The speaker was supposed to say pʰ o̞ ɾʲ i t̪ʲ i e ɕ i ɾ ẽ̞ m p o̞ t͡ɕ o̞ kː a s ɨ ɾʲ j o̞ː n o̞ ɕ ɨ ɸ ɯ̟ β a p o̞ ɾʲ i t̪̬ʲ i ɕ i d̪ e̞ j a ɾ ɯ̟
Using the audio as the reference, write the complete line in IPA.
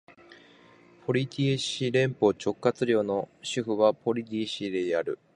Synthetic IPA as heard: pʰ o̞ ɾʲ i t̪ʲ i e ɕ i ɾ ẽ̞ m p o̞ t͡ɕ o̞ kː a t͡s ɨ ɾʲ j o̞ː n o̞ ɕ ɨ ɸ ɯ̟ β a p o̞ ɾʲ i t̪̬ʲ i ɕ i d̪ e̞ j a ɾ ɯ̟